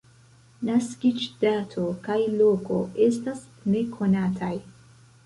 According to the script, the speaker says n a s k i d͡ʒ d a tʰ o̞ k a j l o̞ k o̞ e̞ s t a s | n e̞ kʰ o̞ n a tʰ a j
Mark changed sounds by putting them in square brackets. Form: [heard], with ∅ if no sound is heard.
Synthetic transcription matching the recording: n a s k i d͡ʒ d a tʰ o̞ k a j l o̞ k o̞ e̞ s t a s | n e̞ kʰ o̞ n a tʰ a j